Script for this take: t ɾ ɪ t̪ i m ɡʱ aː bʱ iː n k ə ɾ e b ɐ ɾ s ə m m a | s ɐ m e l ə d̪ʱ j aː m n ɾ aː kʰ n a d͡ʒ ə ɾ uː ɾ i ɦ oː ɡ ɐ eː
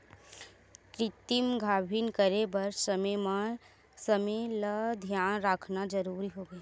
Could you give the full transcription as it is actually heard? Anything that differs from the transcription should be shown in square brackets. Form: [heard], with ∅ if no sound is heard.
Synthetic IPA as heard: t ɾ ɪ t̪ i m ɡʱ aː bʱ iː n k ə ɾ e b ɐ ɾ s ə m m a | s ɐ m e l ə d̪ʱ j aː [∅] n ɾ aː kʰ n a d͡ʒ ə ɾ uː ɾ i ɦ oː ɡ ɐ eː